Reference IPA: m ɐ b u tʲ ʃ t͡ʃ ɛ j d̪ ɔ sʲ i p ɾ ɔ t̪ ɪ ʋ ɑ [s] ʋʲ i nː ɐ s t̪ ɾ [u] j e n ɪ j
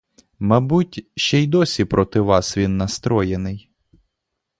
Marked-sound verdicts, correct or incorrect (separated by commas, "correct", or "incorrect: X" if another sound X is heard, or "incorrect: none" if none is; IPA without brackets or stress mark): correct, incorrect: ɔ